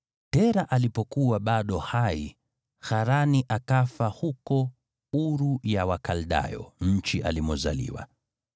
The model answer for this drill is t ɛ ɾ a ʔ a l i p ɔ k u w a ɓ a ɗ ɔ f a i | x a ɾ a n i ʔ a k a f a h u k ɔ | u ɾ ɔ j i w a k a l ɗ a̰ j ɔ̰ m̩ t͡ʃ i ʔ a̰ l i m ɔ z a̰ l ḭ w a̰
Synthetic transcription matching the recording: t ɛ ɾ a ʔ a l i p ɔ k u w a ɓ a ɗ ɔ h a i | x a ɾ a n i ʔ a k a f a h u k ɔ | u ɾ u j a w a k a l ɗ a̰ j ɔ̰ ɲ̩ t͡ʃ i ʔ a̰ l i m ɔ z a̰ l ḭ w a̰